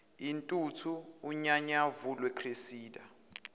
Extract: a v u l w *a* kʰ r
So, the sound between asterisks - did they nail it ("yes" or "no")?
no